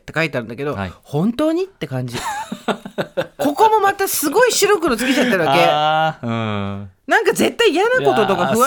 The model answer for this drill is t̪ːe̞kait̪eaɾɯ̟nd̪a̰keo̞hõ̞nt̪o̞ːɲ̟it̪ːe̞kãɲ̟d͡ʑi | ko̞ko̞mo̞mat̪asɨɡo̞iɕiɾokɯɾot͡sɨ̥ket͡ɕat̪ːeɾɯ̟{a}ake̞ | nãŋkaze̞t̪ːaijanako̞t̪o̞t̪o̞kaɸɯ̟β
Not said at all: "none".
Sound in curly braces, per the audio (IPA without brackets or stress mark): a